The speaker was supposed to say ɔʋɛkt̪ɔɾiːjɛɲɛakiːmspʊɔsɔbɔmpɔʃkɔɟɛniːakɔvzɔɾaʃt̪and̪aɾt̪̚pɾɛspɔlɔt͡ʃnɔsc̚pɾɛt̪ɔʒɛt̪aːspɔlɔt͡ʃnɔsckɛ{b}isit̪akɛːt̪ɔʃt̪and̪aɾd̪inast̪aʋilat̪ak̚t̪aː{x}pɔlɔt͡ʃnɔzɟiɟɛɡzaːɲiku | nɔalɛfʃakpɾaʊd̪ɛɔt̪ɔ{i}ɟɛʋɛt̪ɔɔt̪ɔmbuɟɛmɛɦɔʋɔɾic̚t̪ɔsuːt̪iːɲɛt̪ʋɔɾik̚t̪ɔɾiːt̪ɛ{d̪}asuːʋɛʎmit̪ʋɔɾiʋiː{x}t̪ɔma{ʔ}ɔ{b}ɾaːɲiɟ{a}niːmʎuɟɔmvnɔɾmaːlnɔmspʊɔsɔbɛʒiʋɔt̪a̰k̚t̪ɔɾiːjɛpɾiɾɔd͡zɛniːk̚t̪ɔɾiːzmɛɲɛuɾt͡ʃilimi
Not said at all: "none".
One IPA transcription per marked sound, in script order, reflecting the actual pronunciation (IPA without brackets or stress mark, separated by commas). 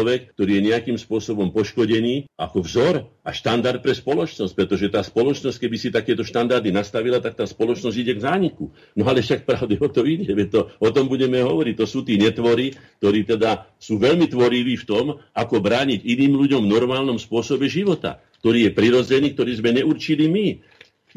b, s, i, d̪, f, k, b, i